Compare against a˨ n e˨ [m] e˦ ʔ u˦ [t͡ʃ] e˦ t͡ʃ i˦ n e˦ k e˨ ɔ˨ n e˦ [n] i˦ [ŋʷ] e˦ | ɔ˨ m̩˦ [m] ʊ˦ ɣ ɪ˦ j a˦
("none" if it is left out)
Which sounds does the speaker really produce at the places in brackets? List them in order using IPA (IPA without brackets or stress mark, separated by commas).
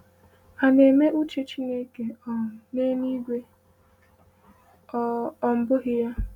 m, t͡ʃ, n, ɡʷ, b